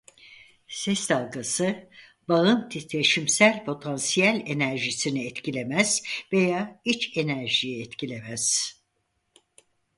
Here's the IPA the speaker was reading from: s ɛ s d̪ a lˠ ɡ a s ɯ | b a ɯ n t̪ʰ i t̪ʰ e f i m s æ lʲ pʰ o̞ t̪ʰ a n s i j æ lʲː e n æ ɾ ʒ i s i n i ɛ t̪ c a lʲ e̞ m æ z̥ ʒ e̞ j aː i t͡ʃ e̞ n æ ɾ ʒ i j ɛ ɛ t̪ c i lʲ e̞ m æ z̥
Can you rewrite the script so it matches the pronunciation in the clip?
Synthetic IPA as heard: s ɛ s d̪ a lˠ ɡ a s ɯ | b a ɯ n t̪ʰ i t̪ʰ e ʃ i m s æ lʲ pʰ o̞ t̪ʰ a n s i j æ lʲ e n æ ɾ ʒ i s i n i ɛ t̪ c i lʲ e̞ m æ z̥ v e̞ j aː i t͡ʃ e̞ n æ ɾ ʒ i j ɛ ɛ t̪ c i lʲ e̞ m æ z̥

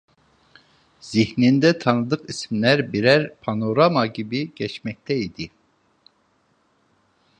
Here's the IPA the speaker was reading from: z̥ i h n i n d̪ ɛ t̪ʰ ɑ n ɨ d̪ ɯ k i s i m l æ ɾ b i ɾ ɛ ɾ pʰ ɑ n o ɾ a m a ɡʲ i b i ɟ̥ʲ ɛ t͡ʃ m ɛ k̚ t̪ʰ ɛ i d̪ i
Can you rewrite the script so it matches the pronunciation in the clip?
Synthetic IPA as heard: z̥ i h n i n d̪ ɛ t̪ʰ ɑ n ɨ d̪ ɯ q i s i m l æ ɾ b i ɾ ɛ ɾ pʰ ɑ n o ɾ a m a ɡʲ i b i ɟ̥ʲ ɛ t͡ʃ m ɛ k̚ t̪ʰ ɛ i d̪ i

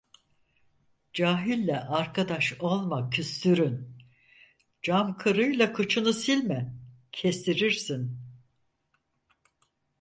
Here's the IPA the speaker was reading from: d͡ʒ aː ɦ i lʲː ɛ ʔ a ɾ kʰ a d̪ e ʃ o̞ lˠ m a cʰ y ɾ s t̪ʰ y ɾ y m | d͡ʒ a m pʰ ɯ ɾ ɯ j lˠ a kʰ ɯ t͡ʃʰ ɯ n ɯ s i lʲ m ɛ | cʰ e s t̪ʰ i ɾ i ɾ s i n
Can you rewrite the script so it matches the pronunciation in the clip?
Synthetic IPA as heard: d͡ʒ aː ɦ i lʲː ɛ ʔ a ɾ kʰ a d̪ a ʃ o̞ lˠ m a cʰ y s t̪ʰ y ɾ y n | d͡ʒ a m kʰ ɯ ɾ ɯ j lˠ a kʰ ɯ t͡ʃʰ ɯ n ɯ s i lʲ m ɛ | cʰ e s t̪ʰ i ɾ i ɾ s i n

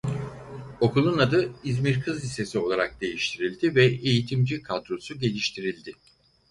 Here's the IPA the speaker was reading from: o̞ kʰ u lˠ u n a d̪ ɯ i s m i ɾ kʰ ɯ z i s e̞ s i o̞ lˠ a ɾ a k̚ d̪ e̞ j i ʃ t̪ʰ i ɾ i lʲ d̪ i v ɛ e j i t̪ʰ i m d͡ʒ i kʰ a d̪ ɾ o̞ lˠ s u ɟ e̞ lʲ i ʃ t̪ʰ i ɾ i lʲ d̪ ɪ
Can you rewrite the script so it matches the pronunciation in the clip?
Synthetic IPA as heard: o̞ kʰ u lˠ u n a d̪ ɯ i z m i ɾ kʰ ɯ z i s e̞ s i o̞ lˠ a ɾ a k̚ d̪ e̞ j i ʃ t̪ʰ i ɾ i lʲ d̪ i v ɛ e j i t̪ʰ i m d͡ʒ i kʰ a d̪ ɾ o̞ s u ɟ e̞ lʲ i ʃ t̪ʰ i ɾ i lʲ d̪ ɪ

